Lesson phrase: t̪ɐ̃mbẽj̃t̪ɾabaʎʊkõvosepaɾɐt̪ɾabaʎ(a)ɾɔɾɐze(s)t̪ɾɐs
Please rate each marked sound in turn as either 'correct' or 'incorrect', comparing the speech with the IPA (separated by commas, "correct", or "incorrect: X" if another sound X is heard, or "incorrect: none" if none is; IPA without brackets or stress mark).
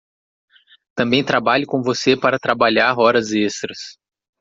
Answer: correct, correct